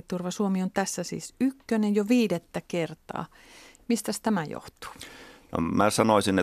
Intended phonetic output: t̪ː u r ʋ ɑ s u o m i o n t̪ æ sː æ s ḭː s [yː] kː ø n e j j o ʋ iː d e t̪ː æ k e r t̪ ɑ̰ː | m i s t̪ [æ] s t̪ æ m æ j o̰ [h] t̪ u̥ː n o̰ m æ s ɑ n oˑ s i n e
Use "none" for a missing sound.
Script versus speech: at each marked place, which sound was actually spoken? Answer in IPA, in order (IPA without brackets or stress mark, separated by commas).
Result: y, æ, h